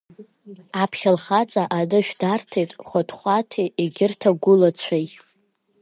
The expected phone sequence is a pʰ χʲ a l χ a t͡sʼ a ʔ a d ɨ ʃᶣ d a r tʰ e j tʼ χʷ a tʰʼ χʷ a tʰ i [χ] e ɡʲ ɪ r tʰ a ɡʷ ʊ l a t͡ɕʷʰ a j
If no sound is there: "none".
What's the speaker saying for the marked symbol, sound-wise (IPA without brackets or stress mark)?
none